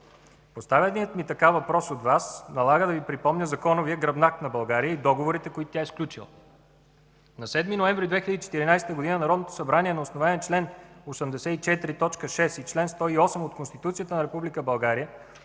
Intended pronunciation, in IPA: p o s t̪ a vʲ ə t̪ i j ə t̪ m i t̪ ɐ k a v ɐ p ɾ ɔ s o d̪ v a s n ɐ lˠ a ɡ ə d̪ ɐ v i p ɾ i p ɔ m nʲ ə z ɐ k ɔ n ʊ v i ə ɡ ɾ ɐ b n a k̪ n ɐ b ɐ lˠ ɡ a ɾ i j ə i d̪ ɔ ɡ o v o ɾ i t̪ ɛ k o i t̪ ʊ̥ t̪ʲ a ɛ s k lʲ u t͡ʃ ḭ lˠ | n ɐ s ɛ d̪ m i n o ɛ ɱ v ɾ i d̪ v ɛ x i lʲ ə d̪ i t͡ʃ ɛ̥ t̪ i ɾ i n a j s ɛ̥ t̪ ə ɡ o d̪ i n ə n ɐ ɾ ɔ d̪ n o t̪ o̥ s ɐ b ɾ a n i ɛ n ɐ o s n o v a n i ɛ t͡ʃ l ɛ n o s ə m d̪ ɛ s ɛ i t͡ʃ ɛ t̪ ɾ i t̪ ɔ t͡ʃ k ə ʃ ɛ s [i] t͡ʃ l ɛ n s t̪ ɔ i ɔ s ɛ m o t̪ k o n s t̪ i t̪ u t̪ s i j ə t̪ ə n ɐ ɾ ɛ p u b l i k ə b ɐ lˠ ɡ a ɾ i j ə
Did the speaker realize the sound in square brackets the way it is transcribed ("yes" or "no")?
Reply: yes